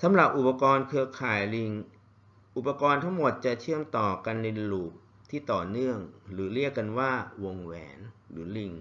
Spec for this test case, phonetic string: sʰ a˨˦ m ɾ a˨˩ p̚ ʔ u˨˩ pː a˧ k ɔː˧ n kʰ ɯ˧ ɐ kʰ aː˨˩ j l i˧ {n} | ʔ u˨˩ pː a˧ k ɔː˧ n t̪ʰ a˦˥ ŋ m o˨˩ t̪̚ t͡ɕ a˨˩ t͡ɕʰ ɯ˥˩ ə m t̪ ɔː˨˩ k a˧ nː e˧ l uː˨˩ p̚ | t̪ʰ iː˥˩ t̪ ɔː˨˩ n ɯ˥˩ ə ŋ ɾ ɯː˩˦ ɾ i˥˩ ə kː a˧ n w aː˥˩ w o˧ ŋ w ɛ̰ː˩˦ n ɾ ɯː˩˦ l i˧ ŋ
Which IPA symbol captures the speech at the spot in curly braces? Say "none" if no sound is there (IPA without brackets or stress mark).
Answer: ŋ